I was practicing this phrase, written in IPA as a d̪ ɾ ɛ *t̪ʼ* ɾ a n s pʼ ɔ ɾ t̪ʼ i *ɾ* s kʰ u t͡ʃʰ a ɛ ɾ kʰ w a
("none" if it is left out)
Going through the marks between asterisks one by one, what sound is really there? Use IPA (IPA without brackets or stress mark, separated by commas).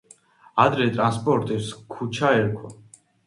t̪ʼ, none